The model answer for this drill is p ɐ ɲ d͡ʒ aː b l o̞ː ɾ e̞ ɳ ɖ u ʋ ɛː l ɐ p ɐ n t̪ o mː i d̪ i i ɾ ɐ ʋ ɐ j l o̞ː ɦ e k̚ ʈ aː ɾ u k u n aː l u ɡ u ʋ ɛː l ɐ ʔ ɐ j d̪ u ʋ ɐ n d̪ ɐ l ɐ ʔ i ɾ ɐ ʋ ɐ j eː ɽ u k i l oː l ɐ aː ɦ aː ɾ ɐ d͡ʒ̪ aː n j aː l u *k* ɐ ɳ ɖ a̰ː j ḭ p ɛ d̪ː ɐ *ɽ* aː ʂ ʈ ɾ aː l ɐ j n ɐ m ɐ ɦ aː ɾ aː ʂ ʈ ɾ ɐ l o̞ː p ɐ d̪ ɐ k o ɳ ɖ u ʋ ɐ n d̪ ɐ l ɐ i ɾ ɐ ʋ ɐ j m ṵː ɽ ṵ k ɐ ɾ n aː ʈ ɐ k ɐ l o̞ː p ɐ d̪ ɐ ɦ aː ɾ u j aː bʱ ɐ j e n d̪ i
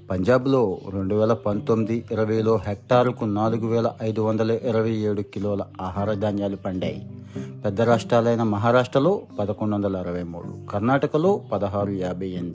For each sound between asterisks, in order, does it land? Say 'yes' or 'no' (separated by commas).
no, no